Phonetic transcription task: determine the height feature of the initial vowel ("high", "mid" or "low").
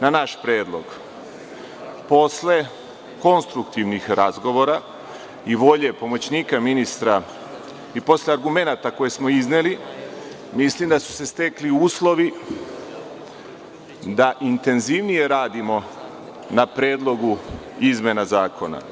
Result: low